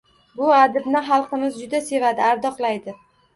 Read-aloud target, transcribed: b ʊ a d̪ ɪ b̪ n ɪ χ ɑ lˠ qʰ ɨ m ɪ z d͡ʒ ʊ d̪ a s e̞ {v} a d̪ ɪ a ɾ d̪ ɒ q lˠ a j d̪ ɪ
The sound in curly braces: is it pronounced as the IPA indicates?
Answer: yes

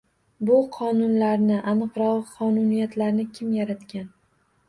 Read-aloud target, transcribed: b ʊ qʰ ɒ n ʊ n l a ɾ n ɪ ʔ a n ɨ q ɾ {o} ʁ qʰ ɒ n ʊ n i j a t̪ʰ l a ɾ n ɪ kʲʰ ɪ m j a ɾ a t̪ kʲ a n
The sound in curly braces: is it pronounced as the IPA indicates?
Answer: no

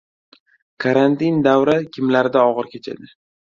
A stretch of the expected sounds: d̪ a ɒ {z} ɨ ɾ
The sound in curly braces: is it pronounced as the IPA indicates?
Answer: no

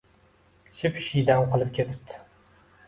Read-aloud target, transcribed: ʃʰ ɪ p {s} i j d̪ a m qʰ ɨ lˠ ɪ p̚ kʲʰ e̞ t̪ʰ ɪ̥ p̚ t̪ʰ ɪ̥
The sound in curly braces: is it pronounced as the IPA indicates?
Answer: no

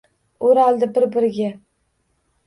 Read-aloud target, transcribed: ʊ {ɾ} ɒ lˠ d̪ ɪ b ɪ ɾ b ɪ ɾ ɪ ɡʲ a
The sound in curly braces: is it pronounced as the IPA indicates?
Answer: yes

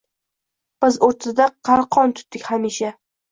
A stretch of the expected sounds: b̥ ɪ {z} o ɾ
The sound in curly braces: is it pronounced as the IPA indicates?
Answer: yes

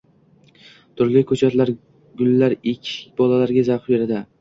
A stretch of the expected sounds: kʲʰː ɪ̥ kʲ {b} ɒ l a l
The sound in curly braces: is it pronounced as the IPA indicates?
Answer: yes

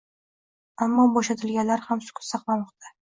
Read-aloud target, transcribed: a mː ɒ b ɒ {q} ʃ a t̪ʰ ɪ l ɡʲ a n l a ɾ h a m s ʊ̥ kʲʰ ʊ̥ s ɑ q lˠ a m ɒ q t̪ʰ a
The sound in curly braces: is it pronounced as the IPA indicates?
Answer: no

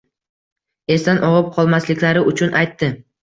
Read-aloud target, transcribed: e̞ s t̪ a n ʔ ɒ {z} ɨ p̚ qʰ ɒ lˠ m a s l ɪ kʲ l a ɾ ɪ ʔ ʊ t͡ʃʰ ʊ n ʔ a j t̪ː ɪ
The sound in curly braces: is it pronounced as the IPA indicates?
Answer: no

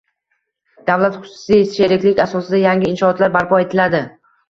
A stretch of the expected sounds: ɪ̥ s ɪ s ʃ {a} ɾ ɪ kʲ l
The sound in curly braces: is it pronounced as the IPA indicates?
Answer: no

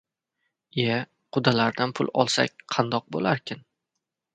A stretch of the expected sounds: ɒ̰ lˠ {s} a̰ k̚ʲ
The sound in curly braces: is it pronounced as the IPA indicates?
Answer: yes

